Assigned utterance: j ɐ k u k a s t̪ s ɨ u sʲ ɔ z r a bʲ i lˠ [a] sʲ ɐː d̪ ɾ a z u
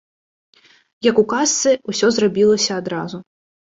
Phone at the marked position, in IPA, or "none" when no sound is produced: ɐ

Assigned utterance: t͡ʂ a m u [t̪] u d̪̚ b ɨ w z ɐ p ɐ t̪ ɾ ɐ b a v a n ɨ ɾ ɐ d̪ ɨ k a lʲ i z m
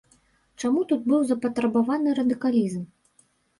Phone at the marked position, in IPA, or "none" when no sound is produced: t̪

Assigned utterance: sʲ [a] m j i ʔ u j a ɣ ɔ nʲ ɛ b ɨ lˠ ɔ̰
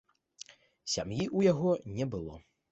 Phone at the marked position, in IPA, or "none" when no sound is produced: a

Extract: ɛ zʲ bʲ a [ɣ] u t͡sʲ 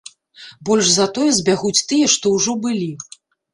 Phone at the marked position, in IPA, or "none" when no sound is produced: ɣ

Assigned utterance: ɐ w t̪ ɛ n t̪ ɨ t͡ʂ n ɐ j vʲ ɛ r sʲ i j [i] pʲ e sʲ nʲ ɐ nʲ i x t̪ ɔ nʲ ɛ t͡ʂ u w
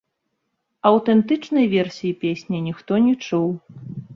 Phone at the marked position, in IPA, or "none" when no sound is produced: i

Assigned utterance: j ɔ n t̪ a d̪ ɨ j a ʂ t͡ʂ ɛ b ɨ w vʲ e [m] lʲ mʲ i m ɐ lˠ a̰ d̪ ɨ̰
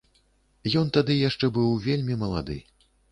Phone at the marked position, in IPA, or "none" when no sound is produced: none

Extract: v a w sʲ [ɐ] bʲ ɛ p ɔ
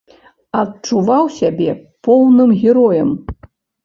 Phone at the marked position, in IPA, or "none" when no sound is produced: a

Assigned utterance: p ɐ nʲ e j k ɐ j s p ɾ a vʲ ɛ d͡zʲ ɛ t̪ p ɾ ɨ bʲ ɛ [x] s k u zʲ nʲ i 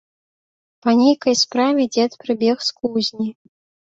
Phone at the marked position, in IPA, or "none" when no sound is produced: x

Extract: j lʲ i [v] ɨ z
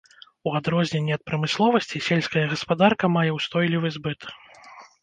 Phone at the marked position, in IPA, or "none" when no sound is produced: v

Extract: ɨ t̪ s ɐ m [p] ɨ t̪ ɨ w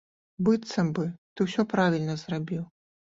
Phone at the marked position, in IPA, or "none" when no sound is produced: b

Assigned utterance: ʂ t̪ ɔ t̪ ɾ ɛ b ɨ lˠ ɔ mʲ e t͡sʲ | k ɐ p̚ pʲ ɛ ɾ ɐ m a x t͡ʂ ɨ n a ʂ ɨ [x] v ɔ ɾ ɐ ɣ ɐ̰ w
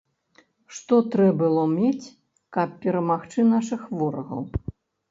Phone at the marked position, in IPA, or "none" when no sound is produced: x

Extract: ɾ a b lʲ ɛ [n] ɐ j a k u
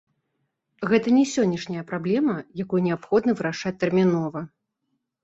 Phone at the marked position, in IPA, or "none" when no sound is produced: m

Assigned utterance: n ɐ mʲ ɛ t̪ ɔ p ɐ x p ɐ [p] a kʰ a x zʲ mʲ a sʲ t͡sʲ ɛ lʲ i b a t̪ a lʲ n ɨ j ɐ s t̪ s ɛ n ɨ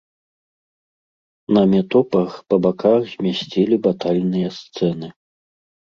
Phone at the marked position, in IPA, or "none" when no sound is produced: b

